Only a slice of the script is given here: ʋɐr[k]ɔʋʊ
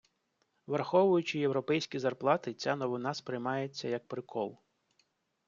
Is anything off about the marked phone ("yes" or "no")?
yes